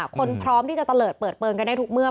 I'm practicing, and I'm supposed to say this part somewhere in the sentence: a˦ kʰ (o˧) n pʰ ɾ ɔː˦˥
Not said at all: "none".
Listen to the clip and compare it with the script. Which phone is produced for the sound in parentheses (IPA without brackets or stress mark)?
o˧